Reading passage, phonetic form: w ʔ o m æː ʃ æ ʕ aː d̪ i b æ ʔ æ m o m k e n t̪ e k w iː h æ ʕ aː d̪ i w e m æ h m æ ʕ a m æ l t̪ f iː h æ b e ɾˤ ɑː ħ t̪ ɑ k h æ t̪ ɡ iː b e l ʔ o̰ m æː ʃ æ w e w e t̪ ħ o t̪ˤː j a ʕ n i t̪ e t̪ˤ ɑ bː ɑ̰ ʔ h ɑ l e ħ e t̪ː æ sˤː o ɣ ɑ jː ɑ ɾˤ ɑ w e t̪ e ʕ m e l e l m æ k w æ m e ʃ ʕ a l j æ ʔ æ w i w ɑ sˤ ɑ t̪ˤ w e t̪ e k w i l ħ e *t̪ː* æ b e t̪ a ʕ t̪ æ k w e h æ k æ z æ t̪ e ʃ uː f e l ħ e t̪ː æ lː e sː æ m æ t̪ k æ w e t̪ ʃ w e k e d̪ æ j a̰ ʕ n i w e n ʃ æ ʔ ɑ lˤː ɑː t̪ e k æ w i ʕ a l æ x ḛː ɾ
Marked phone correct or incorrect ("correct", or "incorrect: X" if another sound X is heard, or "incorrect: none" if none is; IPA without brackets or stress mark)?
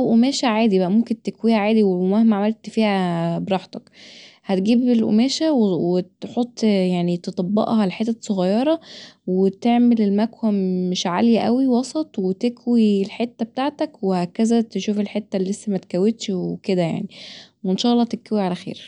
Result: correct